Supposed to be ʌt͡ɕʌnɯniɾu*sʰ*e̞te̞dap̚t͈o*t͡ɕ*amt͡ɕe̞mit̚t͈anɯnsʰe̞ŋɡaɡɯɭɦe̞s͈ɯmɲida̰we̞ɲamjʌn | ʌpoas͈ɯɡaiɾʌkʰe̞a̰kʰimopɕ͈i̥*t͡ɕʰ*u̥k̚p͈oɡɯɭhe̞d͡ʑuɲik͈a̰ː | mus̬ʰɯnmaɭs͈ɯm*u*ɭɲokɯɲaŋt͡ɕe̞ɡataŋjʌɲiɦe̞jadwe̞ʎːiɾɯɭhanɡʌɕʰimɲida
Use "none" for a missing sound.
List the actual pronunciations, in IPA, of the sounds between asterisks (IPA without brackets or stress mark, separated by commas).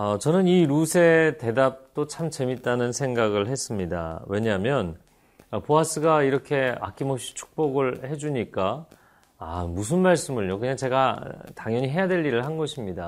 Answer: sʰ, t͡ɕʰ, t͡ɕʰ, ɯ